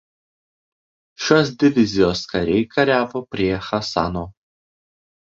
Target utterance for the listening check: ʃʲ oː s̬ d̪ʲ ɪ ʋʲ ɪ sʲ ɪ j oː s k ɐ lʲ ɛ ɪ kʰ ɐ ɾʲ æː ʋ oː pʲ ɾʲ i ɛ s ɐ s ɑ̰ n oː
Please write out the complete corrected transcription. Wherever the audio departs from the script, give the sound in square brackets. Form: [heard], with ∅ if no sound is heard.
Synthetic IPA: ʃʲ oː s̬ d̪ʲ ɪ ʋʲ ɪ [zʲ] ɪ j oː s k ɐ [ɾʲ] ɛ ɪ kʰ ɐ ɾʲ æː ʋ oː pʲ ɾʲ i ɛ [x] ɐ s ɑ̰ n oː